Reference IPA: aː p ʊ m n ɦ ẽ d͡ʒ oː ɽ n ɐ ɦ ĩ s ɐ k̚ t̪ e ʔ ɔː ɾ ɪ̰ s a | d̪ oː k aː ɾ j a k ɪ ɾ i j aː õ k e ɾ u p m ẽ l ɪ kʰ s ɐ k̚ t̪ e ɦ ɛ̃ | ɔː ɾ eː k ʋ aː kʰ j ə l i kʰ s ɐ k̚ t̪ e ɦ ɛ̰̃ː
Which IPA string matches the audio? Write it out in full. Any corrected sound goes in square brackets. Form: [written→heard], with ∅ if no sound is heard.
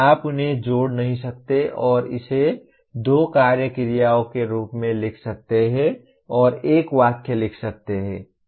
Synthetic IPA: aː p ʊ [m→∅] n ɦ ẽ d͡ʒ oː ɽ n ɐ ɦ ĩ s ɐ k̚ t̪ e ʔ ɔː ɾ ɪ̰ s [a→e] | d̪ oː k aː ɾ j [a→ə] k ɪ ɾ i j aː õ k e ɾ [u→uː] p m ẽ l ɪ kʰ s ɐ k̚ t̪ e ɦ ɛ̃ | ɔː ɾ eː k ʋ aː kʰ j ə l [i→ɪ] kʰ s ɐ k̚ t̪ e ɦ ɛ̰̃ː

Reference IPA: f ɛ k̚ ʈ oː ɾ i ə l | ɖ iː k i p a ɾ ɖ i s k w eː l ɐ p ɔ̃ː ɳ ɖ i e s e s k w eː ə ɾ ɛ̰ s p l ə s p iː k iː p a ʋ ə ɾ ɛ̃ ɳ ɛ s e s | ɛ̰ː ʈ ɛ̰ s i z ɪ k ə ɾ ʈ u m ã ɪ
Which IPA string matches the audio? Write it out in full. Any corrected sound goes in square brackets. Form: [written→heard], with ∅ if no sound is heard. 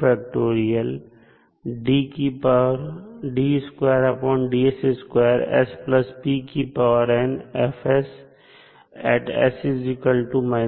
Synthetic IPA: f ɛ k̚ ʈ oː ɾ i ə l | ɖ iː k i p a ɾ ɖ i s k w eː [l→ɾ] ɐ p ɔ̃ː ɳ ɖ i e s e s k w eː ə ɾ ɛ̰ s p l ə s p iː k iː p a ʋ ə ɾ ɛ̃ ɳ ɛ [s→f] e s | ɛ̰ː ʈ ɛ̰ s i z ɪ k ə [ɾ→l] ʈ u m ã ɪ

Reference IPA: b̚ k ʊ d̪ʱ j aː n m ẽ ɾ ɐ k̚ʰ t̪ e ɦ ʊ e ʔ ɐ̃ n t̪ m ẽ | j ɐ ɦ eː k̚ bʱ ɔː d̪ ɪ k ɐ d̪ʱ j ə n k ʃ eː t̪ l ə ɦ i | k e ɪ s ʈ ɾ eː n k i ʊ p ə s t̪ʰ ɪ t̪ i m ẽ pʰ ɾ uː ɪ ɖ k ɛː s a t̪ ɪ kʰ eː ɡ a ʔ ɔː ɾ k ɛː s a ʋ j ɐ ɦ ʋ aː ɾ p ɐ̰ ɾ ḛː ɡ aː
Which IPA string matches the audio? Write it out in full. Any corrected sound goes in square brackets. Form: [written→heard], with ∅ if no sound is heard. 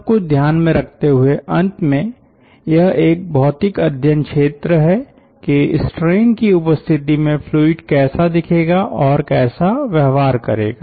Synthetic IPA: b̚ k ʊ d̪ʱ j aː n m ẽ ɾ ɐ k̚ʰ t̪ e ɦ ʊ e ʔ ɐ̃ n t̪ m ẽ | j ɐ ɦ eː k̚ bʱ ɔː [d̪→t̪] ɪ k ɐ d̪ʱ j ə n k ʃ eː t̪ [l→ɾ] ə ɦ [i→ɛ] | k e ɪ s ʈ ɾ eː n k i ʊ p ə s t̪ʰ ɪ t̪ i m ẽ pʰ [ɾ→l] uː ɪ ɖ k ɛː s a [t̪→d̪] ɪ kʰ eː ɡ a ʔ ɔː ɾ k ɛː s a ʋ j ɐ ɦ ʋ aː ɾ [p→k] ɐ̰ ɾ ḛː ɡ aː

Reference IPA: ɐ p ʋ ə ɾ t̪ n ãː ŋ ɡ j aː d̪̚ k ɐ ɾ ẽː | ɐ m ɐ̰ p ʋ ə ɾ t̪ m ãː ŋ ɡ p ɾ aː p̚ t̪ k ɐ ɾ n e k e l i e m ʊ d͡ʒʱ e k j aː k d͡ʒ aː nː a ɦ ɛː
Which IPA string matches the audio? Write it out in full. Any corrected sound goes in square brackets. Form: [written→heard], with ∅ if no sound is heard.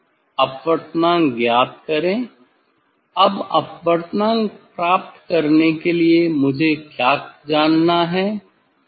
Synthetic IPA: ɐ p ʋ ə ɾ t̪ n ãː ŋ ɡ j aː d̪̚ k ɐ ɾ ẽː | ɐ [m→b] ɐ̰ p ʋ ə ɾ t̪ [m→n] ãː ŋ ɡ p ɾ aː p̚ t̪ k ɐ ɾ n e k e l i e m ʊ d͡ʒʱ e k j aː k d͡ʒ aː nː a ɦ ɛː

